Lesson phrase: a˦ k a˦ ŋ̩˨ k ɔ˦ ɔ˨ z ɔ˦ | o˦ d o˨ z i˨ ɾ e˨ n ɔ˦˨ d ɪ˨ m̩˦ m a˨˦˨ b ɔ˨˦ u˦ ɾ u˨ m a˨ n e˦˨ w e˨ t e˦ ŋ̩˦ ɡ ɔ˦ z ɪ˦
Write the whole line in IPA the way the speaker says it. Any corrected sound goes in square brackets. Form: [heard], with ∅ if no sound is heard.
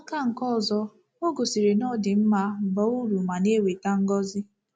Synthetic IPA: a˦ k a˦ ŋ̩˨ k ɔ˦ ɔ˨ z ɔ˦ | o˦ [ɡ] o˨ [s] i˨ ɾ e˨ n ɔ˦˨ d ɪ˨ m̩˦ m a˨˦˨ b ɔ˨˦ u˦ ɾ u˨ m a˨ n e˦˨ w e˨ t [a˦] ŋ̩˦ ɡ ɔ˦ z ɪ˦

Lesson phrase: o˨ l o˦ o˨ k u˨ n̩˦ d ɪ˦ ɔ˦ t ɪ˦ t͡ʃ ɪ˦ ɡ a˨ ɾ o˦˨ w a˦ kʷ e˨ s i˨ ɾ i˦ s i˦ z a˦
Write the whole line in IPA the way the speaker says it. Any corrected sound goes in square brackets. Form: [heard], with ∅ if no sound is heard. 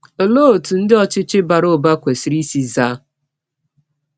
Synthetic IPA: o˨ l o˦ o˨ [t] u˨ n̩˦ d ɪ˦ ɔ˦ [t͡ʃ] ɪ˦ t͡ʃ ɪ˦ [b] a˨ ɾ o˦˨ [b] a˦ kʷ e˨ s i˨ ɾ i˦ s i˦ z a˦

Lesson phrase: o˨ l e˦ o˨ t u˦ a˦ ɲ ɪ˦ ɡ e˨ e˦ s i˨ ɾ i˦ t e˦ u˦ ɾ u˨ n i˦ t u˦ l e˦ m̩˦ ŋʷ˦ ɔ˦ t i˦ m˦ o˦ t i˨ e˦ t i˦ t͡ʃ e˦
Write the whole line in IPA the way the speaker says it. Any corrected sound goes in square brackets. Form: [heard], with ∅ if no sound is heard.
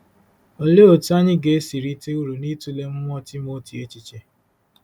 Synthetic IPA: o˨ l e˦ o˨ t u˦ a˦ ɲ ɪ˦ ɡ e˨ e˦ s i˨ ɾ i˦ t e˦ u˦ ɾ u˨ n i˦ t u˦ l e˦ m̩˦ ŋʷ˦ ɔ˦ t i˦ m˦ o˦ t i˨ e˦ [t͡ʃ] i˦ t͡ʃ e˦

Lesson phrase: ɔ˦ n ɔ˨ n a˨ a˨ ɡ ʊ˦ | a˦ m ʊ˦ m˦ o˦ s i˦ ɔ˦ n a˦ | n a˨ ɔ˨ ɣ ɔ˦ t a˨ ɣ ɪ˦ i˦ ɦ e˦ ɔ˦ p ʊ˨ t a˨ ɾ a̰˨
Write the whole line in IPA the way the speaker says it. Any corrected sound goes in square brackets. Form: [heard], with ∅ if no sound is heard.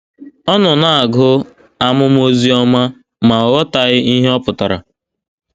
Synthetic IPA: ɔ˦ n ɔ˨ n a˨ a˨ ɡ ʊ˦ | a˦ m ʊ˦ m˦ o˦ [z] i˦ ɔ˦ [m] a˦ | [m] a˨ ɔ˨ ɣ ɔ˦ t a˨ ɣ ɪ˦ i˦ ɦ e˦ ɔ˦ p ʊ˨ t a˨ ɾ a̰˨

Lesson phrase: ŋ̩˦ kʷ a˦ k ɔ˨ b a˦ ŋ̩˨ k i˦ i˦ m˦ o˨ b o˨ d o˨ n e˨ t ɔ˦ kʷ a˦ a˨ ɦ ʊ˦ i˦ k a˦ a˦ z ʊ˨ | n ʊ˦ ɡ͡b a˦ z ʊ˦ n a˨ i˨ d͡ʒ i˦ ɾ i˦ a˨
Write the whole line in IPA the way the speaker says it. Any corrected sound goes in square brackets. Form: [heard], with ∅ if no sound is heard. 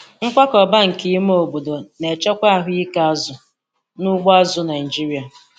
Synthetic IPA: ŋ̩˦ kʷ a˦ k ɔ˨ b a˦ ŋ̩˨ k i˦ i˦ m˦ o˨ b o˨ d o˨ n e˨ [t͡ʃ] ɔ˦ kʷ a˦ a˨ ɦ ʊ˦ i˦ k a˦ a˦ z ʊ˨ | n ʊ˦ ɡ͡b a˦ z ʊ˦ n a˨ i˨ d͡ʒ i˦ ɾ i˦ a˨

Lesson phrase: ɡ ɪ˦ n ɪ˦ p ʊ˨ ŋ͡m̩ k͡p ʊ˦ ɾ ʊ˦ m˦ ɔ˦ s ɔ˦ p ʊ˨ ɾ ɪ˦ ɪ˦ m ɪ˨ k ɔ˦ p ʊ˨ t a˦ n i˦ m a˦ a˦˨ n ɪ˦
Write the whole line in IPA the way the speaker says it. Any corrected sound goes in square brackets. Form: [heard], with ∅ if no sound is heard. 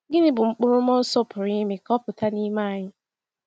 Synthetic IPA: ɡ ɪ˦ n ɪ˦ [b] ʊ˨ ŋ͡m̩ k͡p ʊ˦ ɾ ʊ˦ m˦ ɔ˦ s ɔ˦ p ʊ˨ ɾ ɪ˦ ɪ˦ m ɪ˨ k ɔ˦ p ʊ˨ t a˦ n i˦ m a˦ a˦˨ [ɲ] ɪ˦

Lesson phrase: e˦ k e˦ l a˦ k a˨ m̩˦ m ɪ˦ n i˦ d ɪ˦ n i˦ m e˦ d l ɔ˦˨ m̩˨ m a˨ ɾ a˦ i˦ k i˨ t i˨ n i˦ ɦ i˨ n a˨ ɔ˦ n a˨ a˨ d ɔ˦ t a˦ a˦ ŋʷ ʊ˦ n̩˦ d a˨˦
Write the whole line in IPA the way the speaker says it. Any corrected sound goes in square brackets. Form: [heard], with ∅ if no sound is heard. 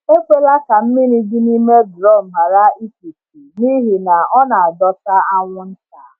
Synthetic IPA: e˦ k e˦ l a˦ k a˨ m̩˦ m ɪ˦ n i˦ d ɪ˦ n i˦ m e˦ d [ɾ] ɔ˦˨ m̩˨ m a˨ ɾ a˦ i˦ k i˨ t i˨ n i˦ ɦ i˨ n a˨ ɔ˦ n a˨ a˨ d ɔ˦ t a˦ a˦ ŋʷ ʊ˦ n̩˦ [t] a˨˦

